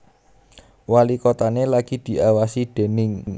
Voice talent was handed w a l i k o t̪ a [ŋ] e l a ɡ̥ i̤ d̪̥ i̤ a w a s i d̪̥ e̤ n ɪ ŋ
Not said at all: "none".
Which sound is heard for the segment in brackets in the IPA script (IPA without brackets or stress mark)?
n